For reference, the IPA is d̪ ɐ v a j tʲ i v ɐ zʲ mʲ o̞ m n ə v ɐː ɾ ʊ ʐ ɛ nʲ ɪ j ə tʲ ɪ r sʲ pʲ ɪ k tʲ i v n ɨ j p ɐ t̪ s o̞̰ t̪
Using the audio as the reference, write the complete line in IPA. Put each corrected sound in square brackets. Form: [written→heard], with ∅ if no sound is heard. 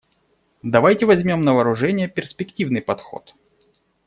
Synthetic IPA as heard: d̪ ɐ v a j tʲ [i→ɪ] v ɐ zʲ mʲ o̞ m n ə v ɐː ɾ ʊ ʐ ɛ nʲ ɪ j ə [tʲ→pʲ] ɪ r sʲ pʲ ɪ k tʲ i v n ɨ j p ɐ t̪ [s→x] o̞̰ t̪